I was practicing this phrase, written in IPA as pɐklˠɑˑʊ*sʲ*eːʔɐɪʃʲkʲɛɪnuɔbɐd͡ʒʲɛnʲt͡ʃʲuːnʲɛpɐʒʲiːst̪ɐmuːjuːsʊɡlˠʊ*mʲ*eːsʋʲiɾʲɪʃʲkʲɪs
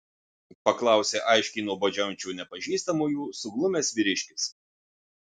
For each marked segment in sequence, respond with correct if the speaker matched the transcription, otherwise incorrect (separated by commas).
correct, correct